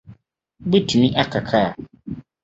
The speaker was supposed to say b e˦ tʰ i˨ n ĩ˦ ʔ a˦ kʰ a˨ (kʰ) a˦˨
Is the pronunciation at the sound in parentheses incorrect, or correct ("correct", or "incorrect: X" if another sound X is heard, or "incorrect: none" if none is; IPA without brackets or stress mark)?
correct